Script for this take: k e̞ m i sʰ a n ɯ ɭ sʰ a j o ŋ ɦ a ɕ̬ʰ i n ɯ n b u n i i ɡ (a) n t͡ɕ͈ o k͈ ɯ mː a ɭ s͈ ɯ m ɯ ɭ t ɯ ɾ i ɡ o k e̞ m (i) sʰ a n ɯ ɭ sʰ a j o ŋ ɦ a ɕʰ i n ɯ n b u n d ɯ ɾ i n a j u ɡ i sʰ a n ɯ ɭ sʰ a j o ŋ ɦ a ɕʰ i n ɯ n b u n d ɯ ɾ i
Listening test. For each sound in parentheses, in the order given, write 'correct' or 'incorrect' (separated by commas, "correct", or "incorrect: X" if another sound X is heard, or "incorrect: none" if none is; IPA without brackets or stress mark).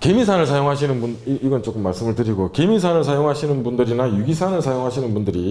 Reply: incorrect: ʌ, correct